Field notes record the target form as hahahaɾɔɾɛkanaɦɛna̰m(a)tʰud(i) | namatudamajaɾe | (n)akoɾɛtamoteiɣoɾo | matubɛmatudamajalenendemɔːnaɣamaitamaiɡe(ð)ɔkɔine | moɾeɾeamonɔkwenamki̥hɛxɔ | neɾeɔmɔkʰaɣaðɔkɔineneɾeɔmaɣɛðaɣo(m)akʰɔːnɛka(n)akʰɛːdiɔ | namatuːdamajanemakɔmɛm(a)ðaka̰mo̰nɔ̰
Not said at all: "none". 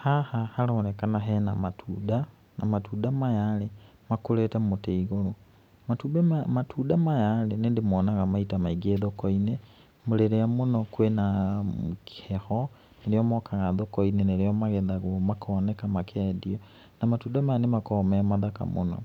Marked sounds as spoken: a, a, m, ð, m, m, a

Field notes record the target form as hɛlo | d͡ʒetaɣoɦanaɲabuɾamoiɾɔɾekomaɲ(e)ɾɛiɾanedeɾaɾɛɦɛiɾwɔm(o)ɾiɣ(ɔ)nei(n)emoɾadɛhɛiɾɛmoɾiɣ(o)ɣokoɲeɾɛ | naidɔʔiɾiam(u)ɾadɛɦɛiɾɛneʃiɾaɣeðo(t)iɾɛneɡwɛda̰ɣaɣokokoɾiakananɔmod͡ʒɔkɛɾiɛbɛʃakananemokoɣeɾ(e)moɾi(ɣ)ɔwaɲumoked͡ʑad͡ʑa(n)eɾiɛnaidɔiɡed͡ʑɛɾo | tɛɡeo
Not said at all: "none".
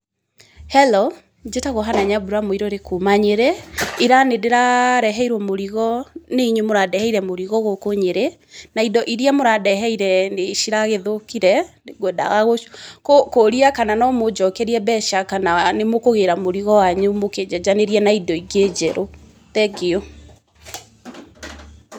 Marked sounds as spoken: e, o, ɔ, ɲ, ɔ, o, k, a, ɣ, n

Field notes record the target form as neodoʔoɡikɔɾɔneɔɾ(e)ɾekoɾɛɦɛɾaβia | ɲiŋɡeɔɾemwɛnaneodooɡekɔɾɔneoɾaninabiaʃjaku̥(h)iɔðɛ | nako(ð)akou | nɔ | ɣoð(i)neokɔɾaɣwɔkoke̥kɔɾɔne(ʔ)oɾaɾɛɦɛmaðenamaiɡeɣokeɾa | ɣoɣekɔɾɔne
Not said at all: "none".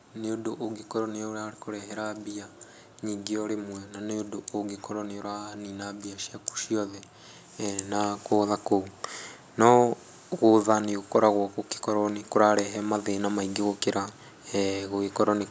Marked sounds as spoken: a, ʃ, ð, a, k

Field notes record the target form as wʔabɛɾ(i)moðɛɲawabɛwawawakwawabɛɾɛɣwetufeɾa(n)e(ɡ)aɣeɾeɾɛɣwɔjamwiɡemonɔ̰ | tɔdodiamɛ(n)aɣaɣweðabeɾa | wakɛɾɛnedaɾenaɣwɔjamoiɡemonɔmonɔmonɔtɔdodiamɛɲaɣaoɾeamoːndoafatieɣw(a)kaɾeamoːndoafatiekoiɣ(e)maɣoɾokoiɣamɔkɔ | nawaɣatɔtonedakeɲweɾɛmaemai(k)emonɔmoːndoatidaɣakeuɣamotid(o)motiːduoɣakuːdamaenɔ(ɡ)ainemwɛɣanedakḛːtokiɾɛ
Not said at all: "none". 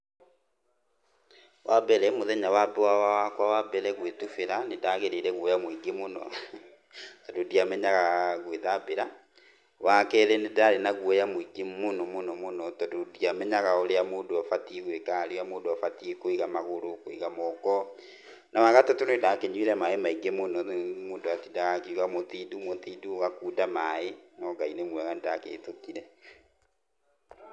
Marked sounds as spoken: ɛ, n, d, ɲ, e, a, ɡ, u, ɡ

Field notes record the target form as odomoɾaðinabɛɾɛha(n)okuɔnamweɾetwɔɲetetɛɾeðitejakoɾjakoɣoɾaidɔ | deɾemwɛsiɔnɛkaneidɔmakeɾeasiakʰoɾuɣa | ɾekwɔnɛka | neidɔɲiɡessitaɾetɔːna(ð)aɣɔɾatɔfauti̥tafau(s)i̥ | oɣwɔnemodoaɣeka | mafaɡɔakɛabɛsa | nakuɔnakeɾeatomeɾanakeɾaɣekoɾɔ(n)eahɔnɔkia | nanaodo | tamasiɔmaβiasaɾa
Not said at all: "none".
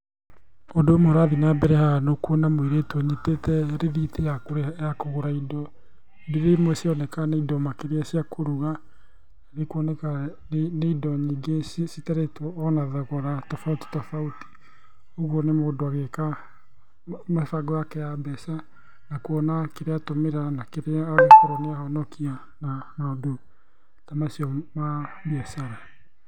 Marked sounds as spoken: n, ð, t, n

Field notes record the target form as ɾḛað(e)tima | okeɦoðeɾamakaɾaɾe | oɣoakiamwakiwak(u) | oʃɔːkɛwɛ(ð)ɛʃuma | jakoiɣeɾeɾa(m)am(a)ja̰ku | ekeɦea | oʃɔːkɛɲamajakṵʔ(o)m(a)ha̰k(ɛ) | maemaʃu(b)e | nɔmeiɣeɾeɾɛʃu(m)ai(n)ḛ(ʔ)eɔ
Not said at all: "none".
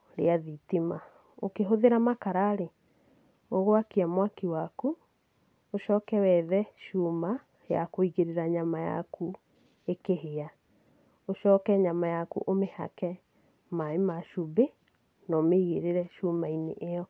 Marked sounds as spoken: i, u, ð, ɲ, a, o, e, ɛ, b, m, n, ʔ

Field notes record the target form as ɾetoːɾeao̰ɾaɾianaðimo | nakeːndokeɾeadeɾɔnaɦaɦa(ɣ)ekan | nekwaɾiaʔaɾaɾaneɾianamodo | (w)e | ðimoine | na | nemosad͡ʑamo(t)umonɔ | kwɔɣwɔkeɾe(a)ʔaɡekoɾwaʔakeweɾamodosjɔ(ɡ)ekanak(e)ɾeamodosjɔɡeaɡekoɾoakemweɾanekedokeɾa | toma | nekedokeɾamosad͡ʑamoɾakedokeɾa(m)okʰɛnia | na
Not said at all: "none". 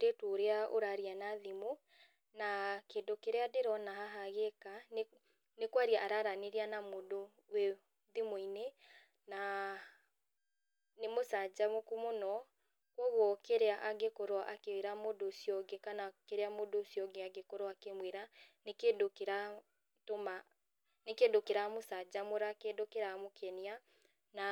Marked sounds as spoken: ɣ, w, k, a, ɡ, e, m

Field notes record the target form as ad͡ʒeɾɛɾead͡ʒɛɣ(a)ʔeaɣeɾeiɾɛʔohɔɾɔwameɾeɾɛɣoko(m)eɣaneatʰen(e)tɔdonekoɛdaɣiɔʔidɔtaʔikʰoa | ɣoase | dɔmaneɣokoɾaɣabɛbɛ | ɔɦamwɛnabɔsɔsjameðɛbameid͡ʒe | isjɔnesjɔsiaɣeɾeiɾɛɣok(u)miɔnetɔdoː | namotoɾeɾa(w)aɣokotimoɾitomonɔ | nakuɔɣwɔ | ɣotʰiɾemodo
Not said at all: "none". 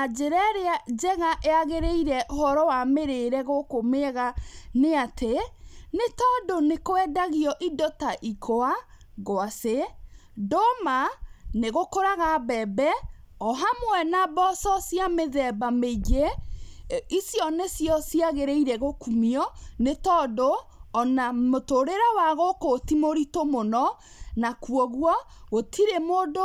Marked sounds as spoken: a, m, e, u, w

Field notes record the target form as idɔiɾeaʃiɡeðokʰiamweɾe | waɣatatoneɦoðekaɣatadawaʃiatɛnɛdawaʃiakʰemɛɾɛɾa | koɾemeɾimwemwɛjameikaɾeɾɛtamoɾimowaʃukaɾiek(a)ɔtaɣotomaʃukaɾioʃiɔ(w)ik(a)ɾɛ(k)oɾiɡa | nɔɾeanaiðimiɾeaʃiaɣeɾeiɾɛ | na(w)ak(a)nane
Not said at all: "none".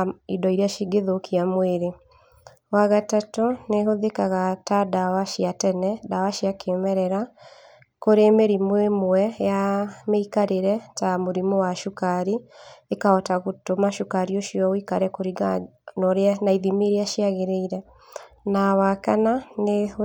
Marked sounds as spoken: a, w, a, k, w, a

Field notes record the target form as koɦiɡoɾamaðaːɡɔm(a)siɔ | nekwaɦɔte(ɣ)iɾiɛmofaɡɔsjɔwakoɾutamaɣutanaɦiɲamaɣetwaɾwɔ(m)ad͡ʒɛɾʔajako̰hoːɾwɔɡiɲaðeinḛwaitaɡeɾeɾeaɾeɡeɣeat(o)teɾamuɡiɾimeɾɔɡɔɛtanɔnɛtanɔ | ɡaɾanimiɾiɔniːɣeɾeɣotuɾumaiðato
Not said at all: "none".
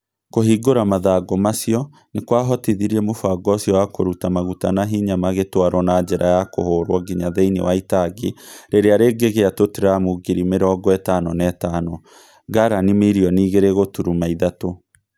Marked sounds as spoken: a, ð, n, o

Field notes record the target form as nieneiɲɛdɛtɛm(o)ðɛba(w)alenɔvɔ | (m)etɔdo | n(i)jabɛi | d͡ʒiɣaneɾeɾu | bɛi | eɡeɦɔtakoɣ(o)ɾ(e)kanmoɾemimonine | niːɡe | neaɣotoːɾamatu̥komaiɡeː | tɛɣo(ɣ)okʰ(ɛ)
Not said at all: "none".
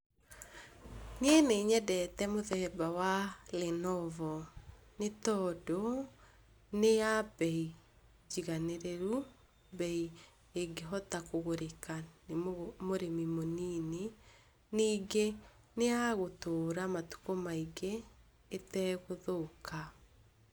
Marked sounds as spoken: o, w, n, e, o, e, ð, a

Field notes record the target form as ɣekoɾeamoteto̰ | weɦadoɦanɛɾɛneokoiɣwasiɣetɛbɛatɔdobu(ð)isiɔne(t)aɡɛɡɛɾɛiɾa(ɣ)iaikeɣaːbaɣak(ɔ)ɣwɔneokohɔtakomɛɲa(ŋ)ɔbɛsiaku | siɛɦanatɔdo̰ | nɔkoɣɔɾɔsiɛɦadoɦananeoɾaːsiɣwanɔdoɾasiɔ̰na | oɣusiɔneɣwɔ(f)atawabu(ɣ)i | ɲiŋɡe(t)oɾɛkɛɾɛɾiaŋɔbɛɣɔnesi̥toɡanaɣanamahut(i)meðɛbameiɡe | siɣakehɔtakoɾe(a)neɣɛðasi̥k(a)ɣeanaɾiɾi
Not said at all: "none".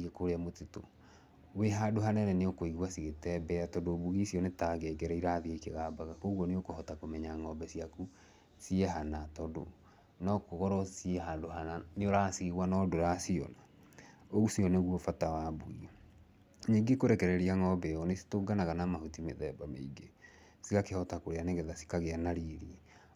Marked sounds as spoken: ɣ, t, ð, o, ŋ, f, ɣ, k, i, a, a

